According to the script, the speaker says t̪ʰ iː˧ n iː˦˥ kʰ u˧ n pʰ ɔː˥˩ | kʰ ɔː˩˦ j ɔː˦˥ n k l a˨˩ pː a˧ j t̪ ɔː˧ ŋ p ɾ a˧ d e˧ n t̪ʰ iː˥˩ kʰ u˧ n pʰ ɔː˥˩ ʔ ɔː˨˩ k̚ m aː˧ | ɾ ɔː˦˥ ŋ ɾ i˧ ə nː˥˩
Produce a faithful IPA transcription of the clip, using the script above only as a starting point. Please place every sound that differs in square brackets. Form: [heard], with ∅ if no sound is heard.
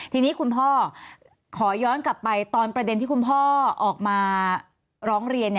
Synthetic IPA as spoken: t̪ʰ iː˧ n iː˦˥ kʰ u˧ n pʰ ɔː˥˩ | kʰ ɔː˩˦ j ɔː˦˥ n k l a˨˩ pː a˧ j t̪ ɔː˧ [n] p ɾ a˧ d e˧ n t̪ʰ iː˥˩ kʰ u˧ n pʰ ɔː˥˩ ʔ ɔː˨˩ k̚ m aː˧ | ɾ ɔː˦˥ ŋ ɾ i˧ ə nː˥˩